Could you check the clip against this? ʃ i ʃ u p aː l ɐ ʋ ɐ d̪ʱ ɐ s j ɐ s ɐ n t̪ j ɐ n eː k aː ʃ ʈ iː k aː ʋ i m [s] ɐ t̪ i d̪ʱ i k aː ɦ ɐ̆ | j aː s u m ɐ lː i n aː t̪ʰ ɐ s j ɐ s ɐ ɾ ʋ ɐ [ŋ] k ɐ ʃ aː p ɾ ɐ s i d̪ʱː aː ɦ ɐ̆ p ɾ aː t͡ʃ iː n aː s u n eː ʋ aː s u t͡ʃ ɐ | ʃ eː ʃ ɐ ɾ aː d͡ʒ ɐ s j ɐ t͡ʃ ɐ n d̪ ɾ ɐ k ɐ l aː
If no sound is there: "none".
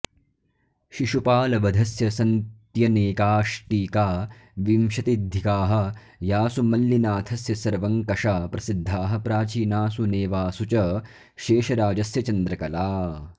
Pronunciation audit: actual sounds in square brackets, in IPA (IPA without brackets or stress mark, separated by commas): ʃ, ŋ